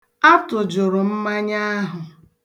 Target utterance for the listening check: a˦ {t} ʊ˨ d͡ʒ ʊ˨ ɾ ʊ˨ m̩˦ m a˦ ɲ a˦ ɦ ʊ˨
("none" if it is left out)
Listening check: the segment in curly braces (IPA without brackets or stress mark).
t